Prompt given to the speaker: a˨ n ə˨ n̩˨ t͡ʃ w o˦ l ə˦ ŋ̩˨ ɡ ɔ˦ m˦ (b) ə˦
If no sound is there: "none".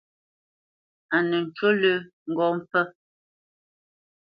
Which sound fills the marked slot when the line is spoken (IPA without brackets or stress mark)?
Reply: p